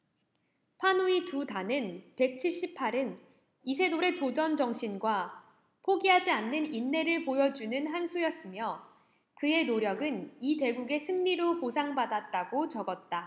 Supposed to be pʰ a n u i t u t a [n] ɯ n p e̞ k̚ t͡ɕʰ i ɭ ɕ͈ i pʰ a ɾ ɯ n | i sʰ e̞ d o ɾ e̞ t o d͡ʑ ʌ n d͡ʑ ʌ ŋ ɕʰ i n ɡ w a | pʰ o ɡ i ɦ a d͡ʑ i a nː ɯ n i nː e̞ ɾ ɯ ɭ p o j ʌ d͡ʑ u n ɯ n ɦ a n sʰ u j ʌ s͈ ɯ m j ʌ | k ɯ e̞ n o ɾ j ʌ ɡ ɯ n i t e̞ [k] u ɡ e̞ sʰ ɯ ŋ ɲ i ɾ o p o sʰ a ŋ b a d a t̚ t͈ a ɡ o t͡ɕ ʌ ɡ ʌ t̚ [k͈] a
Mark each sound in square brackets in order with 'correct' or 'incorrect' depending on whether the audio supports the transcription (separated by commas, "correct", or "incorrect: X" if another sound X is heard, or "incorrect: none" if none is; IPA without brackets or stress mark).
correct, incorrect: ɡ, incorrect: t͈